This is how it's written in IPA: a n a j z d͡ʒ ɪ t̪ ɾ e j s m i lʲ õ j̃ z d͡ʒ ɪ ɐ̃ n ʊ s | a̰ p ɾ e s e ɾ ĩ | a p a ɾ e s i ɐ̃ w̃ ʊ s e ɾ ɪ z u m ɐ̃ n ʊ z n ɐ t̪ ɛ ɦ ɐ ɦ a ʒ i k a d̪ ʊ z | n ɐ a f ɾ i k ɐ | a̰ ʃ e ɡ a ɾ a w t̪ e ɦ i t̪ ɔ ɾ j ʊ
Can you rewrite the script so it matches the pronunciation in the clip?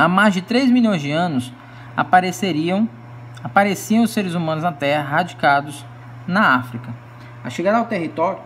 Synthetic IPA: a m a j z d͡ʒ ɪ t̪ ɾ e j z m i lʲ õ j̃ z d͡ʒ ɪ ɐ̃ n ʊ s | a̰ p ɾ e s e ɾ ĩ | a p a ɾ e s i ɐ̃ w̃ ʊ s e ɾ ɪ z u m ɐ̃ n ʊ z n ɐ t̪ ɛ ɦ ɐ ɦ a d͡ʒ i k a d̪ ʊ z | n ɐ a f ɾ i k ɐ | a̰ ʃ e ɡ a ɾ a w t̪ e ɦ i t̪ ɔ ɾ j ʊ